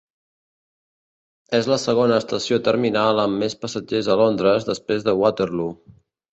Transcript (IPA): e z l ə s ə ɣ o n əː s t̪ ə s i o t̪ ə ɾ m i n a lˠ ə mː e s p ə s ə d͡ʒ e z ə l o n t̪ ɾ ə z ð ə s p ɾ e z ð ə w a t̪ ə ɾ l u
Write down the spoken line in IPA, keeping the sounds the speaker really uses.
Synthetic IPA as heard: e z l ə s ə ɣ o n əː s t̪ ə s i o t̪ ə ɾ m i n a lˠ ə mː e s p ə s ə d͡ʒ e z ə l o n d̪ ɾ ə z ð ə s p ɾ e z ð ə w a t̪ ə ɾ l u

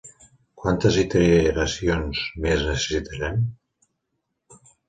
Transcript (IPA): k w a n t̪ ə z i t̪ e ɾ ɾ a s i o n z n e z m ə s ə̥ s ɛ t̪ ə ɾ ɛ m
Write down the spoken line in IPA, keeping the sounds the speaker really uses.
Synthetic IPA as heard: k w a n t̪ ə z i t̪ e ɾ ɾ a s i o n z m e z n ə s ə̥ s i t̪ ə ɾ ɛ m

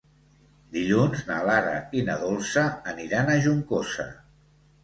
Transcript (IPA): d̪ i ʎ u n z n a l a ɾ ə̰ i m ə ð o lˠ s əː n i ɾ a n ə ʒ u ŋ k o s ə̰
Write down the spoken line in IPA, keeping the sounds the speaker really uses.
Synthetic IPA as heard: d̪ i ʎ u n z n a l a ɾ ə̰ i n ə ð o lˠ s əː n i ɾ a n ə ʒ u ŋ k o s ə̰

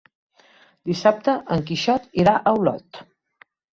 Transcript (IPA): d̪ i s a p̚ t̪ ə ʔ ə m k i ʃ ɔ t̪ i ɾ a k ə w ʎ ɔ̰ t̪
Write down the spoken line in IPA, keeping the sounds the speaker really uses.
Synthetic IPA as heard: d̪ i s a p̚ t̪ ə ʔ ə ŋ k i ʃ ɔ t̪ i ɾ a ʔ ə w l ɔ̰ t̪

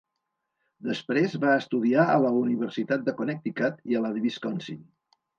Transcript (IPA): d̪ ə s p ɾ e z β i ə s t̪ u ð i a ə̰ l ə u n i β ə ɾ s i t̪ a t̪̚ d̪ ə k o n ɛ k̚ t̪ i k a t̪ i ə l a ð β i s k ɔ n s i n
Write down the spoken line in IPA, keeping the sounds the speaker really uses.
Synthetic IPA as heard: d̪ ə s p ɾ e z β a ə s t̪ u ð i a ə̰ l ə u n i β ə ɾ s i t̪ a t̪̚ d̪ ə k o n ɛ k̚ t̪ i k a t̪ i ə l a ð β i s k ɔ n s i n

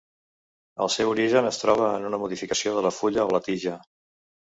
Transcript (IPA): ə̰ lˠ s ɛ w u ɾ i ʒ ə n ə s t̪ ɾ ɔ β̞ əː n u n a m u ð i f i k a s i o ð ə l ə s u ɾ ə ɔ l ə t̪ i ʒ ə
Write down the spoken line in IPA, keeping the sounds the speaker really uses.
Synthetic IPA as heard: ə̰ lˠ s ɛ w u ɾ i ʒ ə n ə s t̪ ɾ ɔ β̞ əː n u n ə m u ð i f i k ə s i o ð ə l ə f u ʎ ə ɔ l ə t̪ i ʒ ə

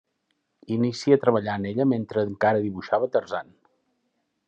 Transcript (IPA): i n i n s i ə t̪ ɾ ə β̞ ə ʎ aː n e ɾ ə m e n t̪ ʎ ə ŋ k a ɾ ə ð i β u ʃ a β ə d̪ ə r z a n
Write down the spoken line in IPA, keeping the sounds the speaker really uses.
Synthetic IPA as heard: i n i s i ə t̪ ɾ ə β̞ ə ʎ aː n e ʎ ə m e n t̪ ɾ ə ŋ k a ɾ ə ð i β u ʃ a β ə t̪ ə r z a n

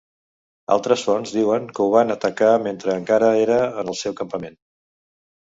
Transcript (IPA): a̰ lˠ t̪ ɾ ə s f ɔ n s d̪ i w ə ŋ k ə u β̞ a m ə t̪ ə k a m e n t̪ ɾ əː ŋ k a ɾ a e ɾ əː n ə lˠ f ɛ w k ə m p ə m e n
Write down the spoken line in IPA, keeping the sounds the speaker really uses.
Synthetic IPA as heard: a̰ lˠ t̪ ɾ ə s f ɔ n z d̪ i w ə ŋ k ə u β̞ a n ə t̪ ə k a m e n t̪ ɾ əː ŋ k a ɾ ə e ɾ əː n ə lˠ s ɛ w k ə m p ə m e n

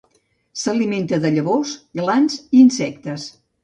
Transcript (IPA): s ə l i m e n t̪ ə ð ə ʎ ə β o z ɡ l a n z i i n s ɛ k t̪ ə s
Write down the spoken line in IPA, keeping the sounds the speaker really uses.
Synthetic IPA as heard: s ə l i m e n t̪ ə ð ə ʎ ə β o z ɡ l a n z i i n s ɛ k t̪ ə s

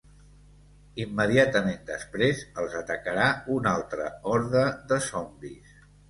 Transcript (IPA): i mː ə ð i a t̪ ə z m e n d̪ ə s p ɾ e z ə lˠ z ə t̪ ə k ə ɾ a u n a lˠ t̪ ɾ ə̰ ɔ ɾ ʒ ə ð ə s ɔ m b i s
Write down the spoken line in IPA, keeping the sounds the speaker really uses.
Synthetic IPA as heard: i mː ə ð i a t̪ ə m e n d̪ ə s p ɾ e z ə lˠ z ə t̪ ə k ə ɾ a u n a lˠ t̪ ɾ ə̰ ɔ ɾ ð ə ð ə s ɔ m b i s

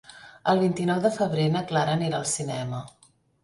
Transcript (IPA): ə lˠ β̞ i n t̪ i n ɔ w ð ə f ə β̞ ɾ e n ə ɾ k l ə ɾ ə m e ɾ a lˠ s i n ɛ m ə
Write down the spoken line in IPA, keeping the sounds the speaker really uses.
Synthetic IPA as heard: ə lˠ β̞ i n t̪ i n ɔ w ð ə f ə β̞ ɾ e n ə k l a ɾ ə n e ɾ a lˠ s i n ɛ m ə

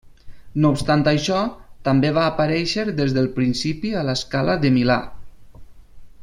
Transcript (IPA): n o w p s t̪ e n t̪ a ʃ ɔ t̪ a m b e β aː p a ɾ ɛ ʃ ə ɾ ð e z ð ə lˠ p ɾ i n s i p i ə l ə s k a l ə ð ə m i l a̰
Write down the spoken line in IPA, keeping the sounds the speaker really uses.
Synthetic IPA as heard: n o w p s t̪ a n t̪ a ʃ ɔ t̪ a m b e β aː p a ɾ ɛ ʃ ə ɾ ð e z ð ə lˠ p ɾ i n s i p i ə l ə s k a l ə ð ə m i l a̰

